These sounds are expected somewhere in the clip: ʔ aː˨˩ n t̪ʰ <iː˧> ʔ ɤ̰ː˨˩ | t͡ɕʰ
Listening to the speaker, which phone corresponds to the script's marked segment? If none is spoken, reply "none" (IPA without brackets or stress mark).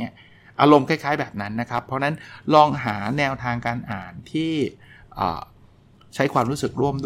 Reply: iː˥˩